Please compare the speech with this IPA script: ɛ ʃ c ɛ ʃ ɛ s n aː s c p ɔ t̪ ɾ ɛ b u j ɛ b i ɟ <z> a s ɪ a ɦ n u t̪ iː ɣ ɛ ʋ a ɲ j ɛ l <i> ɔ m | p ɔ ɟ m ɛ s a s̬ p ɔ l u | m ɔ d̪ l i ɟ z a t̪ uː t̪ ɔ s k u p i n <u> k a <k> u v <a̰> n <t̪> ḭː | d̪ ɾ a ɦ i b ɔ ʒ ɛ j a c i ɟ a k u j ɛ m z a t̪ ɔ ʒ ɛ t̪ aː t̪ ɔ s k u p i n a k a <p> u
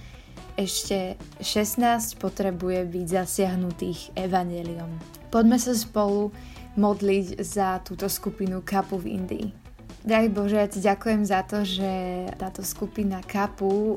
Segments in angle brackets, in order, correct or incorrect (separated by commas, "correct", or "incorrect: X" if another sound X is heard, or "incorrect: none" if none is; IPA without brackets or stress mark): correct, correct, correct, incorrect: p, incorrect: ḭ, incorrect: d̪, correct